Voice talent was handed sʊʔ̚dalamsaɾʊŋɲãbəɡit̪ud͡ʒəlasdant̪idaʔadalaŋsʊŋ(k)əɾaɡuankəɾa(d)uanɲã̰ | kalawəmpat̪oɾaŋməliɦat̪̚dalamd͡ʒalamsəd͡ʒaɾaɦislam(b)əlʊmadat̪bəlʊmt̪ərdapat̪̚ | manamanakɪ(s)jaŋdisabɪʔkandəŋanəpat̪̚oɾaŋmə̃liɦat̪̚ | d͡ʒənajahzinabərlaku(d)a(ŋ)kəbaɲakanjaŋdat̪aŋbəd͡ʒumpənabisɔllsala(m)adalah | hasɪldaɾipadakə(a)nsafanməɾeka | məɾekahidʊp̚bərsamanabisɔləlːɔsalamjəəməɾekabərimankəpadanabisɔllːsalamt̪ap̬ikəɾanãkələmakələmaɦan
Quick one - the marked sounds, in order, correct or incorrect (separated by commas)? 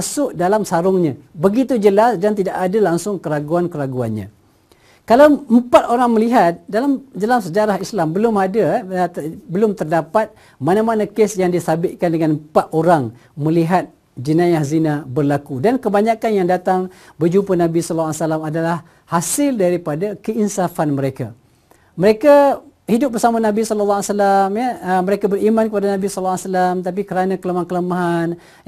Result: correct, incorrect, correct, correct, correct, incorrect, correct, incorrect